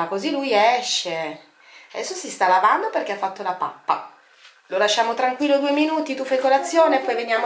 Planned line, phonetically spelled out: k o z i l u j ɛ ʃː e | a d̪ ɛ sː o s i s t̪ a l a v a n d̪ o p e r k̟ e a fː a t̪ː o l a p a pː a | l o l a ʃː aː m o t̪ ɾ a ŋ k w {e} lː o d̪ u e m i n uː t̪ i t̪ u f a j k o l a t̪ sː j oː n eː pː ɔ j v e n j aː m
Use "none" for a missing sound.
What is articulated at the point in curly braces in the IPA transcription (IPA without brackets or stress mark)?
i